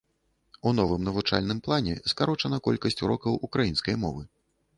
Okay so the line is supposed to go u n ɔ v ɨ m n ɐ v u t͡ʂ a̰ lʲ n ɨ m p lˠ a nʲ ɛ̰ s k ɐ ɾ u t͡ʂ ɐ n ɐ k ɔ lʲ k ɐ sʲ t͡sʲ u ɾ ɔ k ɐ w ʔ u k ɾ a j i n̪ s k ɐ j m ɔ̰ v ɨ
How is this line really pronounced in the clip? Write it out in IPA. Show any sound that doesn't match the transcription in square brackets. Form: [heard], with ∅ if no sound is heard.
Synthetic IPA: u n ɔ v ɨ m n ɐ v u t͡ʂ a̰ lʲ n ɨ m p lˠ a nʲ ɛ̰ s k [a] ɾ [ɔ] t͡ʂ ɐ n ɐ k ɔ lʲ k ɐ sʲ t͡sʲ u ɾ ɔ k ɐ w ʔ u k ɾ a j i n̪ s k ɐ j m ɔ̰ v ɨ